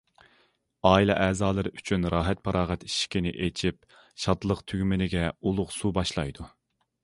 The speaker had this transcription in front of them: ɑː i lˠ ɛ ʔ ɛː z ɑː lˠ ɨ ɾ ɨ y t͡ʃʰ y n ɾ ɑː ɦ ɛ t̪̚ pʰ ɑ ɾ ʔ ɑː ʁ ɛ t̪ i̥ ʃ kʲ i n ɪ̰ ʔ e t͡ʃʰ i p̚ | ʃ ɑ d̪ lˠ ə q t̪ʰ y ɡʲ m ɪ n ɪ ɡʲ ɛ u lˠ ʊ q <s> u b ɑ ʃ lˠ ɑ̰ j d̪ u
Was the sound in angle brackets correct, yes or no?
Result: yes